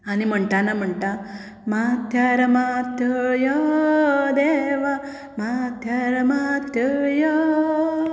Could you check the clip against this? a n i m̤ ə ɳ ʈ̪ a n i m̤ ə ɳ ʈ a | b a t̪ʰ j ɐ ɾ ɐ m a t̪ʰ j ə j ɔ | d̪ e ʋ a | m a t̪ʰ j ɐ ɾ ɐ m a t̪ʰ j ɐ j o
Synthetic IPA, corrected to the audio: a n i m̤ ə ɳ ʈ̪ a n a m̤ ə ɳ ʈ a | m a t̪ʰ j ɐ ɾ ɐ m a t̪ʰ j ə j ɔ | d̪ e ʋ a | m a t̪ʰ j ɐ ɾ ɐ m a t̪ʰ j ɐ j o